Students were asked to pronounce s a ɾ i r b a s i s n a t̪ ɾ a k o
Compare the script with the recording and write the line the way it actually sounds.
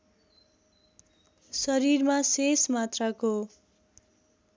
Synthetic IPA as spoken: s ʌ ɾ i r m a s e s m a t̪ r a k o